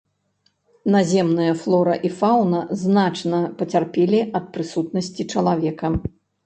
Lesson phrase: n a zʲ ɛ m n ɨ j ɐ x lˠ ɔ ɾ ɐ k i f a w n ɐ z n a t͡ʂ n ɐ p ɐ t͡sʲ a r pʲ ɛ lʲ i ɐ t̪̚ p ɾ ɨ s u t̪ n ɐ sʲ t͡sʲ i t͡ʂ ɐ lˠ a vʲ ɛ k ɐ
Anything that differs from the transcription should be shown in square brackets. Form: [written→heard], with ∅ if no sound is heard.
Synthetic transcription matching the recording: n a zʲ ɛ m n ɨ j ɐ [x→f] lˠ ɔ ɾ ɐ [k→ʔ] i f a w n ɐ z n a t͡ʂ n ɐ p ɐ t͡sʲ a r pʲ ɛ lʲ i ɐ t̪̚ p ɾ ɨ s u t̪ n ɐ sʲ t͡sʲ i t͡ʂ ɐ lˠ a vʲ ɛ k ɐ